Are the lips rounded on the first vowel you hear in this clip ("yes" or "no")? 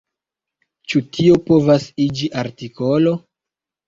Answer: yes